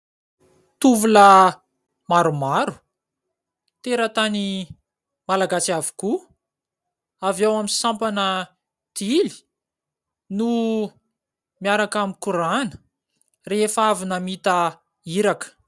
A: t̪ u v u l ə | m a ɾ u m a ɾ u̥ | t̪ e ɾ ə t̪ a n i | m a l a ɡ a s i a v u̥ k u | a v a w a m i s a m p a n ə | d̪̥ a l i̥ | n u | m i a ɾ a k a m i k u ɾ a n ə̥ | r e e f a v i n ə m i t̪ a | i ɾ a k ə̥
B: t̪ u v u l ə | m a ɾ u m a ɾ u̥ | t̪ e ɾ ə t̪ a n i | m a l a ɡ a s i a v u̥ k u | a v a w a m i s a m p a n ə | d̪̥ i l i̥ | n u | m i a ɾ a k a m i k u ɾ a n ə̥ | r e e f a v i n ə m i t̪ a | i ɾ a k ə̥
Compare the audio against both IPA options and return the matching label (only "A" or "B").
B